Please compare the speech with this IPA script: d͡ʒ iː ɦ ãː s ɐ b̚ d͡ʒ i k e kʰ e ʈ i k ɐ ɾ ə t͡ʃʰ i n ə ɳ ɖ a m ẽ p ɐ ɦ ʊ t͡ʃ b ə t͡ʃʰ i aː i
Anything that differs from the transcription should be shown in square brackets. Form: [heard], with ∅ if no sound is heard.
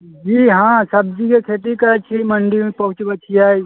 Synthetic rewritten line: d͡ʒ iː ɦ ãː s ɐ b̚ d͡ʒ i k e kʰ e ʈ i k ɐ ɾ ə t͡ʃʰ i [m] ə ɳ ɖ [i] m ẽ p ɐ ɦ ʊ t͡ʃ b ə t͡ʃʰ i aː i

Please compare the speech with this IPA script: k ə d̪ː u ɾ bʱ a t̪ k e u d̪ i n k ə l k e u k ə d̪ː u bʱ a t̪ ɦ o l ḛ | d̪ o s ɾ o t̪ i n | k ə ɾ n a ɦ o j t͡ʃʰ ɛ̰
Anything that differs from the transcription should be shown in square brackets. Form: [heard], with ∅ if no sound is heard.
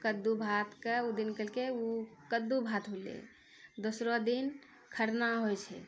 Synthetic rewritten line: k ə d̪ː u [∅] bʱ a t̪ k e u d̪ i n k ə l k e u k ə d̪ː u bʱ a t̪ ɦ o l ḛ | d̪ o s ɾ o [d̪] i n | [kʰ] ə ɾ n a ɦ o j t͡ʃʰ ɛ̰

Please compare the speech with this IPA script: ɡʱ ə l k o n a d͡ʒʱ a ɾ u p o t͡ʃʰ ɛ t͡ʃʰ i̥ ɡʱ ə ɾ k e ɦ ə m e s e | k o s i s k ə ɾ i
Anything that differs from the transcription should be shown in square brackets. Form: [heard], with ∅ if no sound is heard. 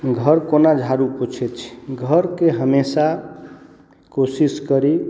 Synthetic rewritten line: ɡʱ ə [ɾ] k o n a d͡ʒʱ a ɾ u p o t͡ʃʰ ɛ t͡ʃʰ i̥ ɡʱ ə ɾ k e ɦ ə m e s [a] | k o s i s k ə ɾ i

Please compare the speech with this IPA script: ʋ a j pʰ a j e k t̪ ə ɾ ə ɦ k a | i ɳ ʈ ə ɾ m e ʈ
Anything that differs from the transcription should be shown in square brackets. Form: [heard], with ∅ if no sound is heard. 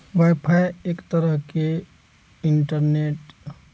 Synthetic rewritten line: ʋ a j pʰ a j e k t̪ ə ɾ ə ɦ k [e] | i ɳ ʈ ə ɾ [n] e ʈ

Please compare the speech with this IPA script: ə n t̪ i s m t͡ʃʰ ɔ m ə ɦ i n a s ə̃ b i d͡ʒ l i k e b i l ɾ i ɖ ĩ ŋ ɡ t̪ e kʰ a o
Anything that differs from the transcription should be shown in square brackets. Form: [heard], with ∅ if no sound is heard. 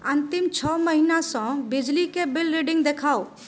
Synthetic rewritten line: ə n t̪ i [∅] m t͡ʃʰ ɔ m ə ɦ i n a s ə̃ b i d͡ʒ l i k e b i l ɾ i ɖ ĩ ŋ ɡ [d̪] e kʰ a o

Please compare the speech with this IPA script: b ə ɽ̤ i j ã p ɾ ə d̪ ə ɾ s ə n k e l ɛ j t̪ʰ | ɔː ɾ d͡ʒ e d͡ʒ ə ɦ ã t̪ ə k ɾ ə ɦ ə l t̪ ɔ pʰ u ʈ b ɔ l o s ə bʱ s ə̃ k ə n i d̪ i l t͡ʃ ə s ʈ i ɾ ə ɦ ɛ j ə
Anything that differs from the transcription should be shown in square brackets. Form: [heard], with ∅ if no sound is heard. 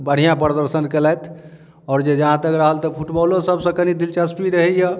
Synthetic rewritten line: b ə ɽ̤ i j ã p ɾ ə d̪ ə ɾ s ə n k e l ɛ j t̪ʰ | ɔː ɾ d͡ʒ e d͡ʒ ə ɦ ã t̪ ə k ɾ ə ɦ ə l t̪ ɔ pʰ u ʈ b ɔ l o s ə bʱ s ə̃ k ə n i d̪ i l t͡ʃ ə s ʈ i ɾ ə ɦ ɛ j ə

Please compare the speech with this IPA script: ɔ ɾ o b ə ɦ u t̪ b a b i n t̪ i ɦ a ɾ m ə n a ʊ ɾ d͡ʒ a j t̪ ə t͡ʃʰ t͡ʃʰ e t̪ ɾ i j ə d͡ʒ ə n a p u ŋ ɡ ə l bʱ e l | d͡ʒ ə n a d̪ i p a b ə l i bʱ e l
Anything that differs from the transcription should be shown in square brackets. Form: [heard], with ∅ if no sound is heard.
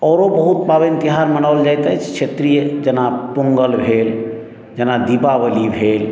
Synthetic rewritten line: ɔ ɾ o b ə ɦ u t̪ b a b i n t̪ i ɦ a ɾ m ə n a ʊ [l] d͡ʒ a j t̪ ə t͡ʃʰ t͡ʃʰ e t̪ ɾ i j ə d͡ʒ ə n a p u ŋ ɡ ə l bʱ e l | d͡ʒ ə n a d̪ i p a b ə l i bʱ e l

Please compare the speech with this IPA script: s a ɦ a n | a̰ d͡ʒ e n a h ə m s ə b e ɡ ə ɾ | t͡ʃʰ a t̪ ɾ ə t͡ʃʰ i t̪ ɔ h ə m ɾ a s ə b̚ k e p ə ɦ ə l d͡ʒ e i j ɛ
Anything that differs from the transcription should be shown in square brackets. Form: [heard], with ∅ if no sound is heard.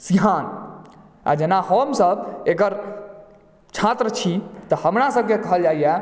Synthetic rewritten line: s [i] ɦ a n | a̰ d͡ʒ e n a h ə m s ə b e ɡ ə ɾ | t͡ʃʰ a t̪ ɾ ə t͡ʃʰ i t̪ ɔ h ə m ɾ a s ə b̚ k e [k] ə ɦ ə l d͡ʒ [a] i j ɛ

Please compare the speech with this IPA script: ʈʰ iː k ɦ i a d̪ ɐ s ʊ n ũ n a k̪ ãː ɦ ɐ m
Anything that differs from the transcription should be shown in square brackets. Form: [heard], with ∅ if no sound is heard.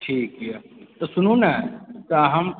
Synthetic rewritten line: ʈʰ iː k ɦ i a [t̪] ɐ s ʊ n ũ n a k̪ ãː ɦ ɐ m

